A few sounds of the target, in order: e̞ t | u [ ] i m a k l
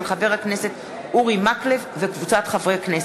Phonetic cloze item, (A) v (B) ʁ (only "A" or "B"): B